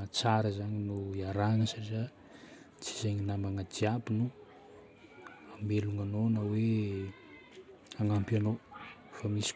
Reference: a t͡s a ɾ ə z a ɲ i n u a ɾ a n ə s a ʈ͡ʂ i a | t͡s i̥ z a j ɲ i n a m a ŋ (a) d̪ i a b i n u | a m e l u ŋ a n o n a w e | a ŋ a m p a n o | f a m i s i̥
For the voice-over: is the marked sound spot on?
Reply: yes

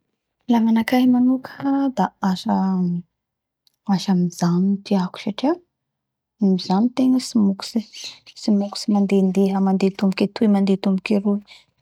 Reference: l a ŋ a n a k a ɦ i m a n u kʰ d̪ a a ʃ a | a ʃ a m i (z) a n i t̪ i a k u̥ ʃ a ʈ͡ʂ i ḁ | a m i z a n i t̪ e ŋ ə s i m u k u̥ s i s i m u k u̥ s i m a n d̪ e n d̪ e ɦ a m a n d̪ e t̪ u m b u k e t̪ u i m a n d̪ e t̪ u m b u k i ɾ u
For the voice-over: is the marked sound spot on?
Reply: yes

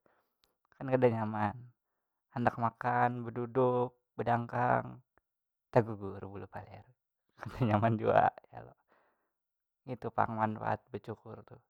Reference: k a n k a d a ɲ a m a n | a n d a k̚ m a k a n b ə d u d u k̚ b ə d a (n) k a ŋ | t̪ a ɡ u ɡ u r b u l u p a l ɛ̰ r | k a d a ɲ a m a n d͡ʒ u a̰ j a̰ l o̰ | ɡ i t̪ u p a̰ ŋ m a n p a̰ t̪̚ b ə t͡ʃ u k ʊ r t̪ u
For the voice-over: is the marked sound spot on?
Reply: no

